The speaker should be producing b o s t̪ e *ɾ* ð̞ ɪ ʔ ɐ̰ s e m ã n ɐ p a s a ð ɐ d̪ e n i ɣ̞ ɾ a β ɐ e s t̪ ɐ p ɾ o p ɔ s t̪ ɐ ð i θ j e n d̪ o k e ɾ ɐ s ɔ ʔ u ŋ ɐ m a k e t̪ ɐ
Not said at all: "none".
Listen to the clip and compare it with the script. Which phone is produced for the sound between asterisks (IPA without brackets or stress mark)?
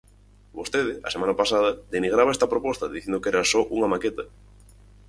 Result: none